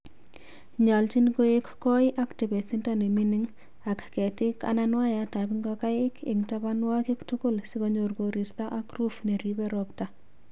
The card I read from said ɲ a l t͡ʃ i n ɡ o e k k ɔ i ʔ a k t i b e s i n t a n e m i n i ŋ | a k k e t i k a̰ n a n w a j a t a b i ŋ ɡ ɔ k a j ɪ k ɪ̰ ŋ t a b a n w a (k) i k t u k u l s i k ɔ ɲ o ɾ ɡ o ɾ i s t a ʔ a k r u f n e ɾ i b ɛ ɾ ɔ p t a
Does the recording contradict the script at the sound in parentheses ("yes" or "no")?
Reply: no